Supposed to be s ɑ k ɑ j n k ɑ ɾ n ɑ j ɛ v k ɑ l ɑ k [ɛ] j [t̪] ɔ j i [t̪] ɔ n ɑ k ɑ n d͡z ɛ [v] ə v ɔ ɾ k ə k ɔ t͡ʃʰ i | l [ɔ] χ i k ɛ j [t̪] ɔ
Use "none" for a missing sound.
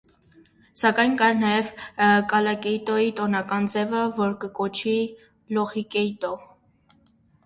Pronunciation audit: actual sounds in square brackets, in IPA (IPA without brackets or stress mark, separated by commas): ɛ, t̪, t̪, v, ɔ, t̪